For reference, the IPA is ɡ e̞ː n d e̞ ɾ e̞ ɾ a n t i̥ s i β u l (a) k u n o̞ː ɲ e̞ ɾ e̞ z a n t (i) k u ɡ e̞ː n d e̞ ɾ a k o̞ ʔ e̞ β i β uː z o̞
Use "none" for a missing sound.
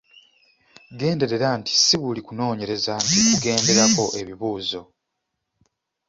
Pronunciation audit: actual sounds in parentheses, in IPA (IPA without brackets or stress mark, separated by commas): i, i